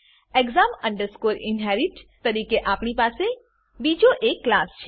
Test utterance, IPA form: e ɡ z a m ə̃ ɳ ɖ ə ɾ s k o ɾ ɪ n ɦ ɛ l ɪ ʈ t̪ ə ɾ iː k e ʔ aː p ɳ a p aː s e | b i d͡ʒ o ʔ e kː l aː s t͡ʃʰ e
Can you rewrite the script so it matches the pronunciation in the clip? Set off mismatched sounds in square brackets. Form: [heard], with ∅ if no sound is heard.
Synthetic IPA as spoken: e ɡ z a m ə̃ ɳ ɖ ə ɾ s k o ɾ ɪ n ɦ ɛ [ɾ] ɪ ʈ t̪ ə ɾ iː k e ʔ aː p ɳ [i] p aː s e | b i d͡ʒ o ʔ e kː l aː s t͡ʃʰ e